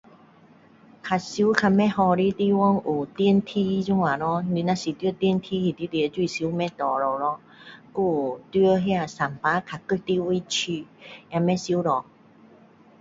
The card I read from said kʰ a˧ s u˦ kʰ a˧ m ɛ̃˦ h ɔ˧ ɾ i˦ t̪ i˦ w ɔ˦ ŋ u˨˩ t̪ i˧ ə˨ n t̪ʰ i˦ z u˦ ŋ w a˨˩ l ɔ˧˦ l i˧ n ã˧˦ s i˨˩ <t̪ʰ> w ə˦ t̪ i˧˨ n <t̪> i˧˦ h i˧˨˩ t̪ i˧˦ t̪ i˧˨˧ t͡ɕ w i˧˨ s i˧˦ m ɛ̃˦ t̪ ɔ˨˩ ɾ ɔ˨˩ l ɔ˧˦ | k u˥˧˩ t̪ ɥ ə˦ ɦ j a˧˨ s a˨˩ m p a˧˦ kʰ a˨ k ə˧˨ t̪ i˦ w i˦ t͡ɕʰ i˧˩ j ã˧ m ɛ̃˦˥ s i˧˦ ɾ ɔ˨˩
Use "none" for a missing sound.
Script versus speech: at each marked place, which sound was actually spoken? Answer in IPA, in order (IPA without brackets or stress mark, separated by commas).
t̪, t̪ʰ